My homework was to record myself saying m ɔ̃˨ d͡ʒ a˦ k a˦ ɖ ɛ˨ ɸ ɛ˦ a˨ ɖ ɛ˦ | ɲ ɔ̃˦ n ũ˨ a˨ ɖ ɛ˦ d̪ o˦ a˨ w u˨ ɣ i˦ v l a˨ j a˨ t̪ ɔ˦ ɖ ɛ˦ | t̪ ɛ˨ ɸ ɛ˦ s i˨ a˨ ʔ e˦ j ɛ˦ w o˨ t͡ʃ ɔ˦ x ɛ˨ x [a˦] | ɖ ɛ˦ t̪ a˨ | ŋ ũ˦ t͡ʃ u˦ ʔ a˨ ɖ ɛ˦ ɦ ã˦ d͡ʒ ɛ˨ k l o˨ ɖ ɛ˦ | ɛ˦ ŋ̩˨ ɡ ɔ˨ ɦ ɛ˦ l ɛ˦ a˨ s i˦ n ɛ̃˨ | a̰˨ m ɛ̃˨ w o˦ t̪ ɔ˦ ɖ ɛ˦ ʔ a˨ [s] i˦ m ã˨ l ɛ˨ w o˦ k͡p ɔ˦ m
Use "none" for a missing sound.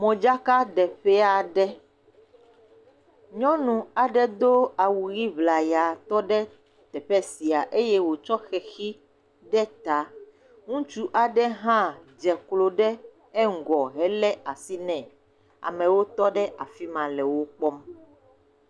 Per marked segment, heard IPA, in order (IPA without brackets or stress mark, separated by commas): i˦, f